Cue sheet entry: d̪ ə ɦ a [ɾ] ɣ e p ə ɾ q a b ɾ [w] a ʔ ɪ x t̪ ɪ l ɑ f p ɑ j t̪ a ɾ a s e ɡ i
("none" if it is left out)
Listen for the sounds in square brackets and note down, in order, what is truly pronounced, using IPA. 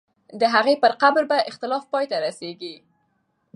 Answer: none, b

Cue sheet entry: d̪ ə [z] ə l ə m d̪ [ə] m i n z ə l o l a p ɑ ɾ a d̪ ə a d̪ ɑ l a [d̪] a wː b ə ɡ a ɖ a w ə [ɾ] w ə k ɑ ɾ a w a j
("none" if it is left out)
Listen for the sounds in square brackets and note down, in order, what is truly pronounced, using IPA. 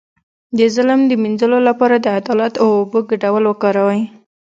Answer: z, ə, t̪, l

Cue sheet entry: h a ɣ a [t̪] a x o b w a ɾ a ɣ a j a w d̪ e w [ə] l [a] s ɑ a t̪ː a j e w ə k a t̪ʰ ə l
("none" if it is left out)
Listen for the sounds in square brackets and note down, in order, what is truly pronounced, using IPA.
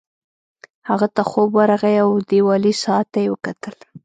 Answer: t̪, ɑ, i

